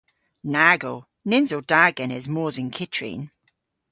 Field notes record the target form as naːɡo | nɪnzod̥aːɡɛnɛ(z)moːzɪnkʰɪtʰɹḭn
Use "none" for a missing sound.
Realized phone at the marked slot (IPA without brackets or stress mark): z